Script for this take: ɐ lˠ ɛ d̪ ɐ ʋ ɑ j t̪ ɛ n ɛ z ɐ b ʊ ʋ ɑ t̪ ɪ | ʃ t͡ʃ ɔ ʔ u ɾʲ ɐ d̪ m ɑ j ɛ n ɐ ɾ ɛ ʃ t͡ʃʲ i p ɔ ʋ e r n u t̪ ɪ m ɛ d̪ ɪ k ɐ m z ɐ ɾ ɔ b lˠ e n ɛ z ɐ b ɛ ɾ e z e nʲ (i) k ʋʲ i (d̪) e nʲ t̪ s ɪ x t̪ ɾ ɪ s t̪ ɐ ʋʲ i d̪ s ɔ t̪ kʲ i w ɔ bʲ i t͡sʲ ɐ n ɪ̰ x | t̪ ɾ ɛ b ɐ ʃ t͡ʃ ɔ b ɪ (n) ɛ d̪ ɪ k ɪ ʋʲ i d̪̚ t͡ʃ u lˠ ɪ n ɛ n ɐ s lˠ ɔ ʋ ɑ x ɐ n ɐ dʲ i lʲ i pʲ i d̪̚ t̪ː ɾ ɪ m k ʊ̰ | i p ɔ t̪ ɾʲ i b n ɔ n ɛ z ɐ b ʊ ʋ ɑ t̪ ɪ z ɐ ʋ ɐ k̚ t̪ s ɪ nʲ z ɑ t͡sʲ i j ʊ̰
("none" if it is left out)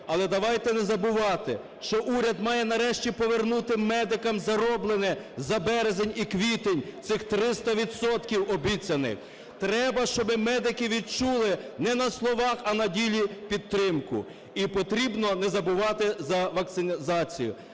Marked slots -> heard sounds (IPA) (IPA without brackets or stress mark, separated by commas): i, t̪, m